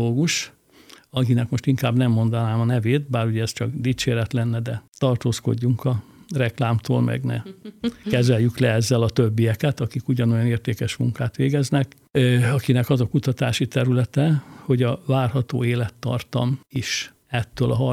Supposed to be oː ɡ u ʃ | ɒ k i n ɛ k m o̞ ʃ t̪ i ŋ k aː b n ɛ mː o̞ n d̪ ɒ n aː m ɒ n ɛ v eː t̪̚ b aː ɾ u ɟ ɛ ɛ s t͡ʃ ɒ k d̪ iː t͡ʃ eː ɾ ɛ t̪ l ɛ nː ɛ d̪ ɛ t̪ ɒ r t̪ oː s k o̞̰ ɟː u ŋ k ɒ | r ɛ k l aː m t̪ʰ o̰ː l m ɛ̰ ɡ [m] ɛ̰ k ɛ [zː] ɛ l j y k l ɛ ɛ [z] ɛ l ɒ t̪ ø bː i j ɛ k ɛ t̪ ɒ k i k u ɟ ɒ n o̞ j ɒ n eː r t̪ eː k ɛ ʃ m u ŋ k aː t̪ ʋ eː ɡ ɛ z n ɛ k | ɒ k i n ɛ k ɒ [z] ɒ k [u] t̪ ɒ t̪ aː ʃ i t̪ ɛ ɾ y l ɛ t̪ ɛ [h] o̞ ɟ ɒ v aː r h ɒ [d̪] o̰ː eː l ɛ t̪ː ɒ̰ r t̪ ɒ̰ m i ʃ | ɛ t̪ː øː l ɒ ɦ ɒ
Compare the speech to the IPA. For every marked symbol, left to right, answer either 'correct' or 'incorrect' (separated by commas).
incorrect, incorrect, incorrect, correct, correct, correct, incorrect